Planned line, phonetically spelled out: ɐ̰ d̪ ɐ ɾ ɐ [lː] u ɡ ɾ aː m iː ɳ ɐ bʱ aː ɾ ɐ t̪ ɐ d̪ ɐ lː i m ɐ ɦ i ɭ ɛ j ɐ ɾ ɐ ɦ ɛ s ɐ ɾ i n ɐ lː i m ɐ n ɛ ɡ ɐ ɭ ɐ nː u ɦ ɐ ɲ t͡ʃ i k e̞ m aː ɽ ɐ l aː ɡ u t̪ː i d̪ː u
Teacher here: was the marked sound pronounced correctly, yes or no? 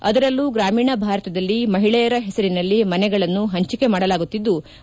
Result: yes